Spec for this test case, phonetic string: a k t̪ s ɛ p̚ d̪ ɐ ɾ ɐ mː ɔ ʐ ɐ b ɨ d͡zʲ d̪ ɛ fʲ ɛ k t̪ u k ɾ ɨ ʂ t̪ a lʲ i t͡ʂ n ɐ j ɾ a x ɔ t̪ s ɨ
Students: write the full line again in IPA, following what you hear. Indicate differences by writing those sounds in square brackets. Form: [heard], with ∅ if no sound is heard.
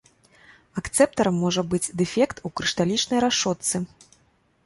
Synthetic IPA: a k t̪ s ɛ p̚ [t̪] ɐ ɾ ɐ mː ɔ ʐ ɐ b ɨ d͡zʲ d̪ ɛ fʲ ɛ k t̪ u k ɾ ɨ ʂ t̪ a lʲ i t͡ʂ n ɐ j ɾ a [ʂ] ɔ t̪ s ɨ

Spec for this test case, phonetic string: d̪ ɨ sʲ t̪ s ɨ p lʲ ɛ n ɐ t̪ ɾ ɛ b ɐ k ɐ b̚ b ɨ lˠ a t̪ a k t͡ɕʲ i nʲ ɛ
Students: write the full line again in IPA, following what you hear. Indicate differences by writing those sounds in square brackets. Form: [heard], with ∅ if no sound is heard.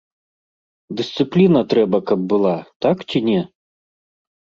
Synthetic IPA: d̪ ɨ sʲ t̪ s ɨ p lʲ [i] n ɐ t̪ ɾ ɛ b ɐ k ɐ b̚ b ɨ lˠ a t̪ a k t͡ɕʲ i nʲ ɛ

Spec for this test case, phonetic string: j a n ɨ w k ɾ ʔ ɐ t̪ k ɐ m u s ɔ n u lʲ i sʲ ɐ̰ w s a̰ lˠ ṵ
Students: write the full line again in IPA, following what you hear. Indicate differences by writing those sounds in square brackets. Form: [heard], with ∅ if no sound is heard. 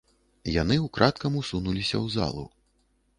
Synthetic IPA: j a n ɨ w k ɾ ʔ [a] t̪ k ɐ m u s [u] n u lʲ i sʲ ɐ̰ w [z] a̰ lˠ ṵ

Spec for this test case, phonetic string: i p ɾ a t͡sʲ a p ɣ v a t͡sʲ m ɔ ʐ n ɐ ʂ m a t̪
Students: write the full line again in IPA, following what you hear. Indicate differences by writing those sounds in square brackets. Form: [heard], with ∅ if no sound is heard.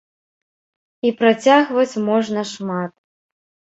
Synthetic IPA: i p ɾ a t͡sʲ a [∅] ɣ v [ɐ] t͡sʲ m ɔ ʐ n ɐ ʂ m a t̪

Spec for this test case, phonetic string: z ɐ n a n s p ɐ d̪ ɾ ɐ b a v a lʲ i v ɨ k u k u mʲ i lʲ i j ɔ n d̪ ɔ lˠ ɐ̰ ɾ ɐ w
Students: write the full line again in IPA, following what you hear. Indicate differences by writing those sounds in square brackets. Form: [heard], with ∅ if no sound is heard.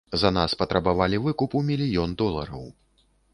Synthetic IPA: z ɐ n a [∅] s p ɐ [t̪] ɾ ɐ b a v a lʲ i v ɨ k u [p] u mʲ i lʲ i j ɔ n d̪ ɔ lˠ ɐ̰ ɾ ɐ w

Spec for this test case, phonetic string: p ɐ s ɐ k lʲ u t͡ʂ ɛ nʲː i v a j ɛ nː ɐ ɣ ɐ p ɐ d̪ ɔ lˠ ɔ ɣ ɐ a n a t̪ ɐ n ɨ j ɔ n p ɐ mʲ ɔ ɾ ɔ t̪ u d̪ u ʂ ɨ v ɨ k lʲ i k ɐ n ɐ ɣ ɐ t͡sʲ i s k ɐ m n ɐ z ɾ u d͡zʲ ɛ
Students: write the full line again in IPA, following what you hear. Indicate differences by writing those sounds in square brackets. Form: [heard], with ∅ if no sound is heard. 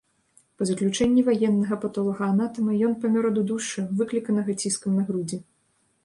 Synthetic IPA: p ɐ [z] ɐ k lʲ u t͡ʂ ɛ nʲː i v a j ɛ nː ɐ ɣ ɐ p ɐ [t̪] ɔ lˠ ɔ ɣ ɐ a n a t̪ ɐ [m] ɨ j ɔ n p ɐ mʲ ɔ ɾ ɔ [d̪] u d̪ u ʂ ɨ v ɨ k lʲ i k ɐ n ɐ ɣ ɐ t͡sʲ i s k ɐ m n ɐ [ɣ] ɾ u d͡zʲ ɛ

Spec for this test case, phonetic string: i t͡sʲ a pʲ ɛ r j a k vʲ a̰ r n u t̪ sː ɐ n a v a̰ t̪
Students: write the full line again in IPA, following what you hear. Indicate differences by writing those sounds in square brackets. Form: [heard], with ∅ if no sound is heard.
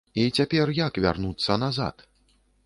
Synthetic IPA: i t͡sʲ a pʲ ɛ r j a k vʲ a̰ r n u t̪ sː ɐ n a [z] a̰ t̪

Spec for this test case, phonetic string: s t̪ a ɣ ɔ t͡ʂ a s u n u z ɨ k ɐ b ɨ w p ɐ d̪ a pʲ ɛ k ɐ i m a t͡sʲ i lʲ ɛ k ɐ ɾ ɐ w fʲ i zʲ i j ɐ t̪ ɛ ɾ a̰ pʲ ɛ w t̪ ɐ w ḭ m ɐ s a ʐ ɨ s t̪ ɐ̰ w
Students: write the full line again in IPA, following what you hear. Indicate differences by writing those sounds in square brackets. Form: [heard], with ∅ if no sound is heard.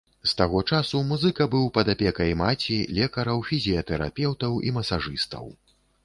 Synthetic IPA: s t̪ a ɣ ɔ t͡ʂ a s u [m] u z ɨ k ɐ b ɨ w p ɐ d̪ a pʲ ɛ k ɐ [j] m a t͡sʲ i lʲ ɛ k ɐ ɾ ɐ w fʲ i zʲ i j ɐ t̪ ɛ ɾ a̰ pʲ ɛ w t̪ ɐ w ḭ m ɐ s a ʐ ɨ s t̪ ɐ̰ w

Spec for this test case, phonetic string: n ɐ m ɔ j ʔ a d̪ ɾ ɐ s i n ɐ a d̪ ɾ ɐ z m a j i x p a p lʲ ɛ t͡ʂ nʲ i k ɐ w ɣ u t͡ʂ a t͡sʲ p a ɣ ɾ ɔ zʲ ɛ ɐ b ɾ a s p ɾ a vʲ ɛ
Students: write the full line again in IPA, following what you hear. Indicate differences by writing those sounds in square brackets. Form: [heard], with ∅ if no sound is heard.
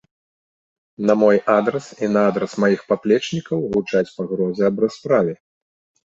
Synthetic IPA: n ɐ m ɔ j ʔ a d̪ ɾ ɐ s i n ɐ a d̪ ɾ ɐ [s] m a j i x p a p lʲ ɛ t͡ʂ nʲ i k ɐ w ɣ u t͡ʂ a t͡sʲ p a ɣ ɾ ɔ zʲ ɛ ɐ b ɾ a s p ɾ a vʲ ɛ

